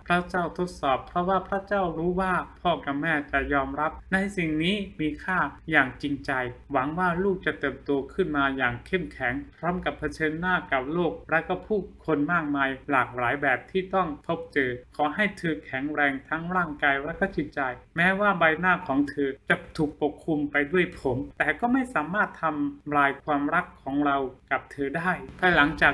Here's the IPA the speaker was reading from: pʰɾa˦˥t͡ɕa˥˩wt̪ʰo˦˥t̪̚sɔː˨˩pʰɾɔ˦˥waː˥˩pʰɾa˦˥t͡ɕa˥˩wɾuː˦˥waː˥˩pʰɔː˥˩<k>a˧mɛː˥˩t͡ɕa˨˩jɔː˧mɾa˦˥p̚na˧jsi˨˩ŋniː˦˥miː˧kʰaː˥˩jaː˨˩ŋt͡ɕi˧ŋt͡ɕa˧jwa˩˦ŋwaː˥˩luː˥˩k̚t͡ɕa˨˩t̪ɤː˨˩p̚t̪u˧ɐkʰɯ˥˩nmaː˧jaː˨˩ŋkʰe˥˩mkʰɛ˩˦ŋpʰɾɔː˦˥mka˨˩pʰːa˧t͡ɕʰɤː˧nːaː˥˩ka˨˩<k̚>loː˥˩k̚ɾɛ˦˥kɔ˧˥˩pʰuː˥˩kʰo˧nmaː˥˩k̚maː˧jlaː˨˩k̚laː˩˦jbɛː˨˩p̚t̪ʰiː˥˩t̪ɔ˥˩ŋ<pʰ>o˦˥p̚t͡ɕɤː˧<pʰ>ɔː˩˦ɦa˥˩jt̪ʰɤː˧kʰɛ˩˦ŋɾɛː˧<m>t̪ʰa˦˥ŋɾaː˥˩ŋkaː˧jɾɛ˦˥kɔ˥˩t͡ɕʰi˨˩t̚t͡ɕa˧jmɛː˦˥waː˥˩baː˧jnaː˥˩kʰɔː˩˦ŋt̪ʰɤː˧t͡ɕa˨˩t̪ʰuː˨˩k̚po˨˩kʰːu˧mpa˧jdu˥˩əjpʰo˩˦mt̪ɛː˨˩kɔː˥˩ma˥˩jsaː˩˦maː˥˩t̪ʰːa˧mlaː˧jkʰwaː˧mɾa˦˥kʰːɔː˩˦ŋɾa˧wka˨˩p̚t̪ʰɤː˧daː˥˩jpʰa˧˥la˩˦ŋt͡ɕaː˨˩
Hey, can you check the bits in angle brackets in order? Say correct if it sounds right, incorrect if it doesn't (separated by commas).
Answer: correct, incorrect, correct, incorrect, incorrect